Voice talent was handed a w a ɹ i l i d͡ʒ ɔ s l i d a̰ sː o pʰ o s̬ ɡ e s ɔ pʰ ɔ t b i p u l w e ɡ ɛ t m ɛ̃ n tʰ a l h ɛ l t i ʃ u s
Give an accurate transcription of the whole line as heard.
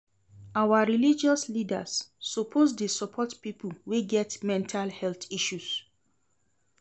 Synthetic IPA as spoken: a w a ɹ i l i d͡ʒ ɔ s l i d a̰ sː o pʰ o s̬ d e s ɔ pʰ ɔ t p i p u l w e ɡ ɛ t m ɛ̃ n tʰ a l h ɛ l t i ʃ u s